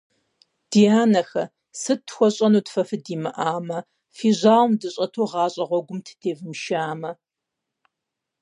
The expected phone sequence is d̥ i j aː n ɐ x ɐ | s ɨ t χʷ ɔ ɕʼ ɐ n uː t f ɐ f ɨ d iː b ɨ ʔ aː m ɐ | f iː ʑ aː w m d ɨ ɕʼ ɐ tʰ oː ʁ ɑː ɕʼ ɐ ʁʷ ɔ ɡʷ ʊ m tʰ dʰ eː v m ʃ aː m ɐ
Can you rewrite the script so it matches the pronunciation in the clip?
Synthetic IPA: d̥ i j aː n ɐ x ɐ | s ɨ t xʷ ɔ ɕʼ ɐ n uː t f ɐ f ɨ d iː m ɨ ʔ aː m ɐ | f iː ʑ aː w m d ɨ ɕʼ ɐ tʰ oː ʁ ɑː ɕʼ ɐ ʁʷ ɔ ɡʷ ʊ m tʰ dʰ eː v m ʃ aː m ɐ